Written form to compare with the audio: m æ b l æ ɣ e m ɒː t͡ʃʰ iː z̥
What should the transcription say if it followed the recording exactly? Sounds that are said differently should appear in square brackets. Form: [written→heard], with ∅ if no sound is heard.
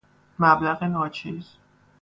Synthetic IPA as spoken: m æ b l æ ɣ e [m→n] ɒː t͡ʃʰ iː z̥